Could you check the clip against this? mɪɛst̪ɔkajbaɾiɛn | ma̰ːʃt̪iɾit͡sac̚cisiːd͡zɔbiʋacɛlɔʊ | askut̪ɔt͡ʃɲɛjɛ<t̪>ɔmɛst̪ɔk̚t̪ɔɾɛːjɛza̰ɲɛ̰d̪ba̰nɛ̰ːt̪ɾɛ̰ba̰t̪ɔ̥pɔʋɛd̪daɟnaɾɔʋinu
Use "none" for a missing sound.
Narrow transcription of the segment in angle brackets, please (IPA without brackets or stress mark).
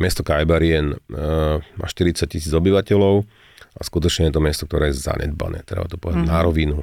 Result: t̪